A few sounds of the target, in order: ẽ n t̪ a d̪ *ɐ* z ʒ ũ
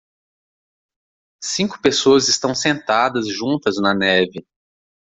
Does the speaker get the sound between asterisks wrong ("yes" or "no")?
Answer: no